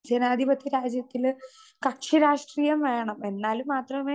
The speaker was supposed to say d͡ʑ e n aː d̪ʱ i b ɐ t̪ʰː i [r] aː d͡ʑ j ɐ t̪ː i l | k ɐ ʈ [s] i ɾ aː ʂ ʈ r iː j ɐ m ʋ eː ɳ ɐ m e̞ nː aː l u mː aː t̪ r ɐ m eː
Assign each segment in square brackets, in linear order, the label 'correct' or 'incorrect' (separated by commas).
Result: incorrect, incorrect